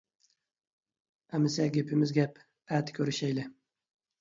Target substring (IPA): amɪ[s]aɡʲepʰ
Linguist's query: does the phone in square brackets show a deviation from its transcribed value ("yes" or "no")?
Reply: no